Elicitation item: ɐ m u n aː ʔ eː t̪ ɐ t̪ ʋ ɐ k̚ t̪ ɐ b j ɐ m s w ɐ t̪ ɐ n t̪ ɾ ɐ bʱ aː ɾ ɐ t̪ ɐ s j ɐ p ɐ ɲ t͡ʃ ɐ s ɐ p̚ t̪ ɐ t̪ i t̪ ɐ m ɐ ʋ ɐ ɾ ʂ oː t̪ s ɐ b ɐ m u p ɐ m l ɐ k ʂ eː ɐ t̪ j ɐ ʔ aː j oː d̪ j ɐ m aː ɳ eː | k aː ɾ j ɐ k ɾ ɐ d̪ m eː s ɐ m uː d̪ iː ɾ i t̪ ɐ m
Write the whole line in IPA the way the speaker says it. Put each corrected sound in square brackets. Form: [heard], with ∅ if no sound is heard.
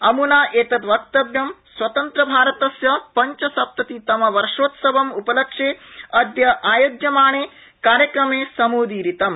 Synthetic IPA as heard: ɐ m u n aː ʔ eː t̪ ɐ t̪ ʋ ɐ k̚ t̪ ɐ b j ɐ m s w ɐ t̪ ɐ n t̪ ɾ ɐ bʱ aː ɾ ɐ t̪ ɐ s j ɐ p ɐ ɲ t͡ʃ ɐ s ɐ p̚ t̪ ɐ t̪ i t̪ ɐ m ɐ ʋ ɐ ɾ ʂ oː t̪ s ɐ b ɐ m u p ɐ [∅] l ɐ k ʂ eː ɐ [d̪] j ɐ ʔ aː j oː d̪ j ɐ m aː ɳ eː | k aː ɾ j ɐ k ɾ ɐ [∅] m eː s ɐ m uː d̪ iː ɾ i t̪ ɐ m